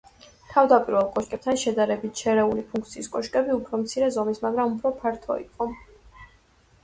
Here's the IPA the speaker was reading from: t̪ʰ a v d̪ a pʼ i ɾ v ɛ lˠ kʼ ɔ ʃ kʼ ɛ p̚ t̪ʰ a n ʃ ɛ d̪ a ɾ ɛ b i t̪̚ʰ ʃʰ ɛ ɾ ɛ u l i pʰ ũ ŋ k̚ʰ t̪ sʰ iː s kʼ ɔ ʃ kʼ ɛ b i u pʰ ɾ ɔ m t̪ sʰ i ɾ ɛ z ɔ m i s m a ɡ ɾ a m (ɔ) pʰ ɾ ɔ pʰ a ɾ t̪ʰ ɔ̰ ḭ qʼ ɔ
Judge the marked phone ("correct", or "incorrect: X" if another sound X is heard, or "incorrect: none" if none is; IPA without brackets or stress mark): incorrect: u